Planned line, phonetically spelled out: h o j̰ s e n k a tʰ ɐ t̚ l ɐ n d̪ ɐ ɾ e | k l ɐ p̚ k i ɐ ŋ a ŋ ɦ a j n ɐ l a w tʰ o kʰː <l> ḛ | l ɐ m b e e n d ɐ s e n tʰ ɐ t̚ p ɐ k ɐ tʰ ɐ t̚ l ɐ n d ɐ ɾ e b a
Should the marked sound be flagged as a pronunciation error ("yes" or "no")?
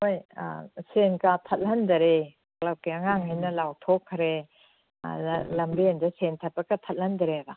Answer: yes